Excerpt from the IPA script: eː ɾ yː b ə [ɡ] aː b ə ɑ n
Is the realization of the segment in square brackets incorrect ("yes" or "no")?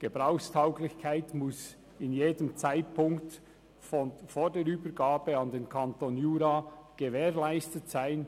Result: no